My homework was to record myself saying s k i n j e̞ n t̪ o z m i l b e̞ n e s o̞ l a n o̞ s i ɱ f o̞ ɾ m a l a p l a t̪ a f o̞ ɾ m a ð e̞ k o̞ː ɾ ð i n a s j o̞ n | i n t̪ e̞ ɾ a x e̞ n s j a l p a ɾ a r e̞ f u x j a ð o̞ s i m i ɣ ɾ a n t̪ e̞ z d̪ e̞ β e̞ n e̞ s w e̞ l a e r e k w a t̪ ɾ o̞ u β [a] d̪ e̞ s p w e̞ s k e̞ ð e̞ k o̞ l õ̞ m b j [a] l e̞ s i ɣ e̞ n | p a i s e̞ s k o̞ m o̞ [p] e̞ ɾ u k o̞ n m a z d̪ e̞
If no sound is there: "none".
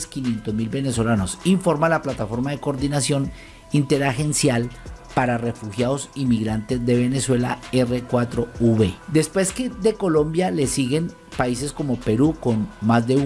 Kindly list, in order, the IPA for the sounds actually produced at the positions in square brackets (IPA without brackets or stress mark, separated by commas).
e, a, p